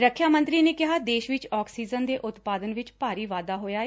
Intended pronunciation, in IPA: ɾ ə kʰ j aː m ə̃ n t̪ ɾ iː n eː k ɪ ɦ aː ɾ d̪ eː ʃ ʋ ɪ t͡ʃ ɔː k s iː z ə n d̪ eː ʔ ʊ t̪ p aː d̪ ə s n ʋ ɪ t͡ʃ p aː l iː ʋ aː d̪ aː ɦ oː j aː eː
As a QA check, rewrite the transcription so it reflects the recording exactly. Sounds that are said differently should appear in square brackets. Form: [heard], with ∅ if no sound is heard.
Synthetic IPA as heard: ɾ ə kʰ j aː m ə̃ n t̪ ɾ iː n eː k ɪ ɦ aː [∅] d̪ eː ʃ ʋ ɪ t͡ʃ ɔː k s iː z ə n d̪ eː ʔ ʊ t̪ p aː d̪ ə [∅] n ʋ ɪ t͡ʃ p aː [ɾ] iː ʋ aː d̪ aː ɦ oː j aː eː